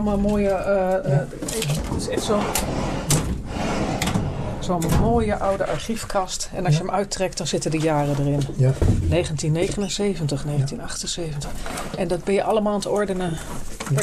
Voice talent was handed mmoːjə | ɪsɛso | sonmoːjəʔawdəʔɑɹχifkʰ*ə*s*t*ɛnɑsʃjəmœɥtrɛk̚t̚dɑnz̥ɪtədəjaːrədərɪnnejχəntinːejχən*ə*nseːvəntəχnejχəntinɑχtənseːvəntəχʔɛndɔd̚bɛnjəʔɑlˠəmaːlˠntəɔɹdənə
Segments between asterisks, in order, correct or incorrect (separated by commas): incorrect, correct, correct